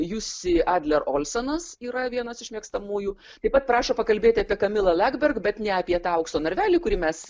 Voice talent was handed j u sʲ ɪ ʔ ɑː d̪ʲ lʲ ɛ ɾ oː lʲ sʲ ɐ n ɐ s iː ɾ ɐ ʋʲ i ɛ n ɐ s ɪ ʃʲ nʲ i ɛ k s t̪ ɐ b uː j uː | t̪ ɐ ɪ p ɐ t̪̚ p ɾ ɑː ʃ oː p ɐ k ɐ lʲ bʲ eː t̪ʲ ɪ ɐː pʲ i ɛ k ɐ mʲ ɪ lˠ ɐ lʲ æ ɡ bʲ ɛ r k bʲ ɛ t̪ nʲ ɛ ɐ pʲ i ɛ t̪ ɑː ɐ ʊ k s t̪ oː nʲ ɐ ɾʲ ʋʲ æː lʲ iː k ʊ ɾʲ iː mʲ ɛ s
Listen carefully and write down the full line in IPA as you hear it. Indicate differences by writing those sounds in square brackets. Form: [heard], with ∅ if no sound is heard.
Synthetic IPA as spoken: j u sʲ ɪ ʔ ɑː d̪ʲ lʲ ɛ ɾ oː lʲ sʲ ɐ n ɐ s iː ɾ ɐ ʋʲ i ɛ n ɐ s ɪ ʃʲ [mʲ] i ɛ k s t̪ ɐ [m] uː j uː | t̪ ɐ ɪ p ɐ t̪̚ p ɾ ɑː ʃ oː p ɐ k ɐ lʲ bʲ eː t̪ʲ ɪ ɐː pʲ i ɛ k ɐ mʲ ɪ lˠ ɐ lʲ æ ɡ bʲ ɛ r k bʲ ɛ t̪ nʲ ɛ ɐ pʲ i ɛ t̪ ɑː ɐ ʊ k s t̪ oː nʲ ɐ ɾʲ ʋʲ æː lʲ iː k ʊ ɾʲ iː mʲ ɛ s

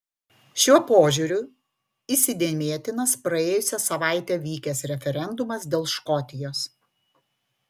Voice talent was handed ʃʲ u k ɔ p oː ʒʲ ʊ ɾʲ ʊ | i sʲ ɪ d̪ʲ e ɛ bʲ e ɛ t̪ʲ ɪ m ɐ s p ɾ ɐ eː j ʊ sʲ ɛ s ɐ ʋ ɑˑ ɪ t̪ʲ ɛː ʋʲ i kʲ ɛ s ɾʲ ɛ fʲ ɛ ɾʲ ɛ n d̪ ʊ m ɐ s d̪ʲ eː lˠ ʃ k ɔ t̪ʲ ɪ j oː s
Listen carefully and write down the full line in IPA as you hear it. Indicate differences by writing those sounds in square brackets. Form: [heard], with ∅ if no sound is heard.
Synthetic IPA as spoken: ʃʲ u [∅] ɔ p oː ʒʲ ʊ ɾʲ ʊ | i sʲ ɪ d̪ʲ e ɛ [mʲ] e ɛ t̪ʲ ɪ [n] ɐ s p ɾ ɐ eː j ʊ sʲ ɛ s ɐ ʋ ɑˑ ɪ t̪ʲ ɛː ʋʲ [iː] kʲ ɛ s ɾʲ ɛ fʲ ɛ ɾʲ ɛ n d̪ ʊ m ɐ s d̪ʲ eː lˠ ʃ k ɔ t̪ʲ ɪ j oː s

